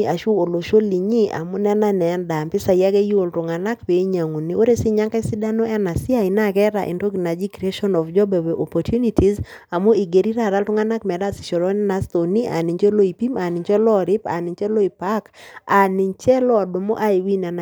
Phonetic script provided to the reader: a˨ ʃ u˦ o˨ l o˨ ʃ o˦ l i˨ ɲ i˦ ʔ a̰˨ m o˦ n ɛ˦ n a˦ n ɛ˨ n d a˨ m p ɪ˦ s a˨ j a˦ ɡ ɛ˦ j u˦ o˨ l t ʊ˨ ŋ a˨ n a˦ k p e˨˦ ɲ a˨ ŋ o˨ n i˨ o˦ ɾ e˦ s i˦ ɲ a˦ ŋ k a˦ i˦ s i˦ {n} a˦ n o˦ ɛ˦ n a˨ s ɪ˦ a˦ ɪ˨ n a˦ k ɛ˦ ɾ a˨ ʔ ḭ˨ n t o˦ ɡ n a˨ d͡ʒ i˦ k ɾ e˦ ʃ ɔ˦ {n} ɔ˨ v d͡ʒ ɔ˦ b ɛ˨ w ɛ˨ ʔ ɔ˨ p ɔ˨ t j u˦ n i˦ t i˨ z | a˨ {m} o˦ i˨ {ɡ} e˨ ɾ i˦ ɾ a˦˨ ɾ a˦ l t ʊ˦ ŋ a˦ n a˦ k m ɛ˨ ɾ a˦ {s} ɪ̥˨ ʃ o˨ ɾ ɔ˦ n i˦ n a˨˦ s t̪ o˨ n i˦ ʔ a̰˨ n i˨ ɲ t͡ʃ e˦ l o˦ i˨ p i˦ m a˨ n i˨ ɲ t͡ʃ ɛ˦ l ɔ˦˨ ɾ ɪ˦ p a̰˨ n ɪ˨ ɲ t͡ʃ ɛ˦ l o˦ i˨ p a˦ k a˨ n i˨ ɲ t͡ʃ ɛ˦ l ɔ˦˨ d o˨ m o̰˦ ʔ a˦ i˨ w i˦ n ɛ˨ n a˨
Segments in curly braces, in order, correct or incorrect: incorrect: d, correct, correct, correct, correct

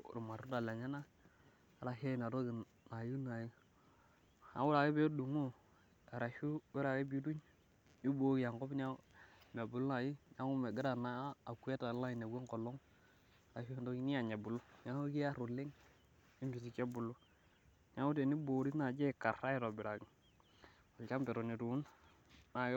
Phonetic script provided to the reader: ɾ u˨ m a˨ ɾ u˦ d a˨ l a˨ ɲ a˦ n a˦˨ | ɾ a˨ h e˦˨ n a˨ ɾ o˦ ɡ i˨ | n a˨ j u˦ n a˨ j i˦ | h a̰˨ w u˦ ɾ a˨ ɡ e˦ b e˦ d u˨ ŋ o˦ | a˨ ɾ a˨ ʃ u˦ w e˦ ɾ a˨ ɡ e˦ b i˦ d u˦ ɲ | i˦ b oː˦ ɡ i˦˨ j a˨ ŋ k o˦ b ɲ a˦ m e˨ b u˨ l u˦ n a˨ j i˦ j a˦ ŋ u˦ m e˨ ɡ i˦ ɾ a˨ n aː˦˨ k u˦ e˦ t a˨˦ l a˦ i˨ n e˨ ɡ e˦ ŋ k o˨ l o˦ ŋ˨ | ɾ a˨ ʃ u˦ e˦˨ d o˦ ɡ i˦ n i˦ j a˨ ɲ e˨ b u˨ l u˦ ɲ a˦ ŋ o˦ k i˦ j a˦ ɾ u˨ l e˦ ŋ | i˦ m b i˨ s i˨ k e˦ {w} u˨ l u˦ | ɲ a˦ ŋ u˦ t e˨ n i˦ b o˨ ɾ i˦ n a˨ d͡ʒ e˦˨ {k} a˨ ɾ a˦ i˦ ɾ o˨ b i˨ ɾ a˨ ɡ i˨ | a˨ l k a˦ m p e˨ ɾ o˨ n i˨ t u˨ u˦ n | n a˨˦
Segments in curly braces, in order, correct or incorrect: incorrect: b, correct

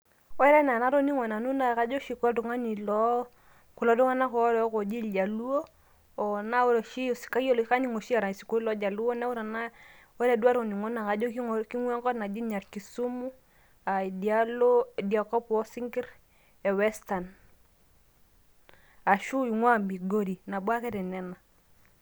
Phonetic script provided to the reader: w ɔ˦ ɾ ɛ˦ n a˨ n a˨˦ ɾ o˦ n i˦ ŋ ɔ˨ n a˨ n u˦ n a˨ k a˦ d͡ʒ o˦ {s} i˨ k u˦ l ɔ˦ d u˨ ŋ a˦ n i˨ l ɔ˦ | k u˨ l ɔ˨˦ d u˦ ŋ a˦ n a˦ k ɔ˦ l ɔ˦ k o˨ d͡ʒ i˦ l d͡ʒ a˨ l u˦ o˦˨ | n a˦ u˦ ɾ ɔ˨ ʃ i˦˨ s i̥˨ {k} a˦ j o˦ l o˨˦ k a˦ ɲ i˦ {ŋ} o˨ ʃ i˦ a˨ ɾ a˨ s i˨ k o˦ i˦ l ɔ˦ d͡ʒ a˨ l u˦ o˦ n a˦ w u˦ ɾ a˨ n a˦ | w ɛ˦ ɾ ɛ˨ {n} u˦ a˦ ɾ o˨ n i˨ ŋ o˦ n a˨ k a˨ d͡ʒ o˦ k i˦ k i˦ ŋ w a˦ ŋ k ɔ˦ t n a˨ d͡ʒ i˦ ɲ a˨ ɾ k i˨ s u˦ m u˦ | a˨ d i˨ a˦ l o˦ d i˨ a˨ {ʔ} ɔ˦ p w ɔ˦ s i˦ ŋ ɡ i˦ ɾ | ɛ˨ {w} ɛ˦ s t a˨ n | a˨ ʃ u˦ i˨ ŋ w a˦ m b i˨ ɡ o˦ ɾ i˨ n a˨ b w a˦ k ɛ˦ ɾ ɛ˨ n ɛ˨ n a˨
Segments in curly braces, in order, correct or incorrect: incorrect: ʃ, correct, correct, incorrect: d, incorrect: k, correct

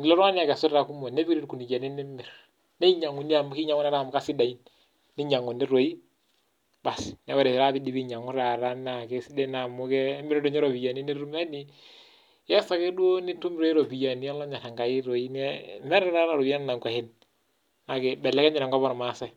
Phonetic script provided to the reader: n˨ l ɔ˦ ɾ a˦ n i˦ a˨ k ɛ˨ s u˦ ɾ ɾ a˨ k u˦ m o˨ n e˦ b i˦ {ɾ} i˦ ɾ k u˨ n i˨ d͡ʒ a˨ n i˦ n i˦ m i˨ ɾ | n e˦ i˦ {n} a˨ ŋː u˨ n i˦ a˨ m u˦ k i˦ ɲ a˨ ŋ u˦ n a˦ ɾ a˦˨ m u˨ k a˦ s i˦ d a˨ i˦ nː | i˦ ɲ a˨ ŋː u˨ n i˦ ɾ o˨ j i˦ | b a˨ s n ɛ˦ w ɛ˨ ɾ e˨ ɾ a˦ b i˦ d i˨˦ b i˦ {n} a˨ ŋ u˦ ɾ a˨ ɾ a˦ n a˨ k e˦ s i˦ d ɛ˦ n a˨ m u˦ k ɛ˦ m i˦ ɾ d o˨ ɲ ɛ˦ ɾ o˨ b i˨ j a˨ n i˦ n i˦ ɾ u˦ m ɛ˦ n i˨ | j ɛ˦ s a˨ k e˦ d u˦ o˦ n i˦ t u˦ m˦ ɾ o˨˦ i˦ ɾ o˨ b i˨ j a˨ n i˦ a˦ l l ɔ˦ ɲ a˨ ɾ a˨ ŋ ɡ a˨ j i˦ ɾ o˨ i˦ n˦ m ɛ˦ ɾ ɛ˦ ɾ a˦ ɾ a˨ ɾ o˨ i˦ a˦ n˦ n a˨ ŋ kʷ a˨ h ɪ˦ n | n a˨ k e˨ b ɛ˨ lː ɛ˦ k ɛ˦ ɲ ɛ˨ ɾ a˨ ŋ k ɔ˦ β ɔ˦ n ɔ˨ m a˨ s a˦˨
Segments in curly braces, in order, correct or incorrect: correct, incorrect: ɲ, incorrect: ɲ

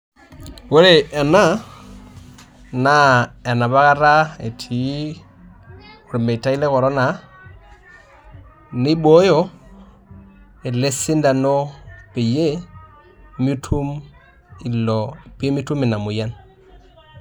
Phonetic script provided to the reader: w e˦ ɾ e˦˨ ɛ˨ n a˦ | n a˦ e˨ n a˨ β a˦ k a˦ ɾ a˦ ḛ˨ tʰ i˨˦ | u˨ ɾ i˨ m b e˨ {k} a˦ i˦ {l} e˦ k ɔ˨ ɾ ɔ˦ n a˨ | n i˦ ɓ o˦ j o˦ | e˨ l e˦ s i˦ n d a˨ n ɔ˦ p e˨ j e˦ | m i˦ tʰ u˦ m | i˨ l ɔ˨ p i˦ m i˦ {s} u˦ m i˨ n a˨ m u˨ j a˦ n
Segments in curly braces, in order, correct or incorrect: incorrect: t, correct, incorrect: t

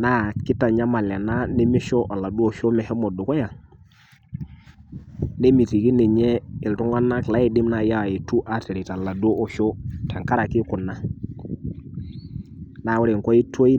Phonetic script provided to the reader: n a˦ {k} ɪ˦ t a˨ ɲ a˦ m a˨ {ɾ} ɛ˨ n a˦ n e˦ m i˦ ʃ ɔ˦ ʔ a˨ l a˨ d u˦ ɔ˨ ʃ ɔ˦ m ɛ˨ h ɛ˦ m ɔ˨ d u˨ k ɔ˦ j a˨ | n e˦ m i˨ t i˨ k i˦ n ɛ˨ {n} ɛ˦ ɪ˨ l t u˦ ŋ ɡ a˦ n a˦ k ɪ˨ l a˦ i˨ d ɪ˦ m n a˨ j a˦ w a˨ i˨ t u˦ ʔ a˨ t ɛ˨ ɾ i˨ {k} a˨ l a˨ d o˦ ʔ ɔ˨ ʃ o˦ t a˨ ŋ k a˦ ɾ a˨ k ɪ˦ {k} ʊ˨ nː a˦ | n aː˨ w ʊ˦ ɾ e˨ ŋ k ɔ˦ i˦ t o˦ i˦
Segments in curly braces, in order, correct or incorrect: correct, incorrect: l, incorrect: ɲ, incorrect: t, correct

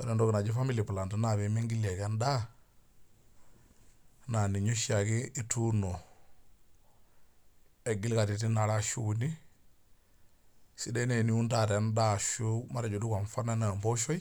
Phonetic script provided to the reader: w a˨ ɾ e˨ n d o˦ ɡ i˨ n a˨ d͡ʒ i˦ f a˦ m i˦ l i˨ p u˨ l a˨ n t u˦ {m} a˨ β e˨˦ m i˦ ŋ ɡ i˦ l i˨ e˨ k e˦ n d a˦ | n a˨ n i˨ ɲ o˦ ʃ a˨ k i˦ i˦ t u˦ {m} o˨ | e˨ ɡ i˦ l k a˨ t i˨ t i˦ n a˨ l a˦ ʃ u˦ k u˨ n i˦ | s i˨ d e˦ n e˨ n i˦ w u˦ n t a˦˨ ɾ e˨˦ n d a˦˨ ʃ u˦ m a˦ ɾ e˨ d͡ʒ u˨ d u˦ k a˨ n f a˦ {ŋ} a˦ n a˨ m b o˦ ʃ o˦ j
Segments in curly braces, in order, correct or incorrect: incorrect: n, incorrect: n, incorrect: n

